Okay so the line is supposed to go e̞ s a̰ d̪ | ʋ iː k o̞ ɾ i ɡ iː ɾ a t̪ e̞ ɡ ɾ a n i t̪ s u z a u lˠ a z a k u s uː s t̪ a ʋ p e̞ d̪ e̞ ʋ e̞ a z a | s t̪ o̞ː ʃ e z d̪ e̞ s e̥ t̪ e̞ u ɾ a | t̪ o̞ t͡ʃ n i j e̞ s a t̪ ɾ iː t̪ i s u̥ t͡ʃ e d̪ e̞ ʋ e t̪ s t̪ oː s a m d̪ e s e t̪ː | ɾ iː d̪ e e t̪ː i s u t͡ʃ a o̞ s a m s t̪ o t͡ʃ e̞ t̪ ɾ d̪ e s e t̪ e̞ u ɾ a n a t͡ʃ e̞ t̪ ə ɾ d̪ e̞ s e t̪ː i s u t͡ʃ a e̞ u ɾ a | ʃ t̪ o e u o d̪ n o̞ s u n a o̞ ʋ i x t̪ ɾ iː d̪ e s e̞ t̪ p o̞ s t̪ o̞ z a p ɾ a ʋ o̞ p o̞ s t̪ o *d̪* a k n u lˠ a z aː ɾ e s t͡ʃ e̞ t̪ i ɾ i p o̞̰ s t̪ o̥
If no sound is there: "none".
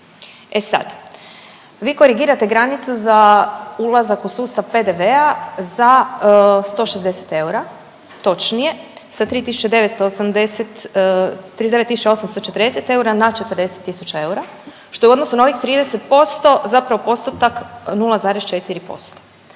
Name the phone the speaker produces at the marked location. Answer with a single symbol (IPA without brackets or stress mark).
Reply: t̪